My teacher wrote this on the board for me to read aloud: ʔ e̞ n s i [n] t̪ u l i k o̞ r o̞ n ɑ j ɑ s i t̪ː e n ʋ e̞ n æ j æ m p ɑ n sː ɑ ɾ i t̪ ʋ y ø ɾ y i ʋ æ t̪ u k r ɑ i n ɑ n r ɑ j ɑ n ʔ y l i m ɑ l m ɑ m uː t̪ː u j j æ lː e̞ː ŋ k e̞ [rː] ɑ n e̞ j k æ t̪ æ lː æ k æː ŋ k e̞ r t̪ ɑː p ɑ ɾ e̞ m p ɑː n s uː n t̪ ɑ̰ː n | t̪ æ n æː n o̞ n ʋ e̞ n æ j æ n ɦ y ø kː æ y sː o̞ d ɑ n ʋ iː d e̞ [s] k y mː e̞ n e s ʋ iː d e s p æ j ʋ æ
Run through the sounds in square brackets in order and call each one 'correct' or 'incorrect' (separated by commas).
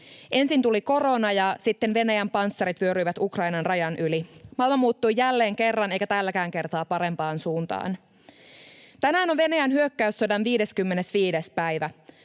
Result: correct, correct, correct